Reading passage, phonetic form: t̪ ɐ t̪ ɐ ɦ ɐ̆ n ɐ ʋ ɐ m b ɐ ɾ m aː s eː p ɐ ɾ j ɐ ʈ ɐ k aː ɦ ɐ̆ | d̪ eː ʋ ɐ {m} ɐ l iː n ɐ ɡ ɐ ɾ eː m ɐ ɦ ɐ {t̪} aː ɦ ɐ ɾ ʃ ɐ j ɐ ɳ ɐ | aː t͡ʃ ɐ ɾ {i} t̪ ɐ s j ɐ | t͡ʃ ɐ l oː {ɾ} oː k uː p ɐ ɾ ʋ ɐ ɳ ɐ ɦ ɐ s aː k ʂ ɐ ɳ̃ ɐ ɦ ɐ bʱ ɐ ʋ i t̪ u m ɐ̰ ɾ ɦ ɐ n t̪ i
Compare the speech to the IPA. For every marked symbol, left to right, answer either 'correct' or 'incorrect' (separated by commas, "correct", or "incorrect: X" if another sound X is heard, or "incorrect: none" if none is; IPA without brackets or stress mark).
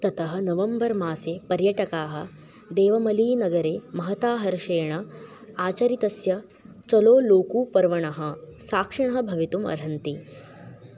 correct, correct, correct, incorrect: l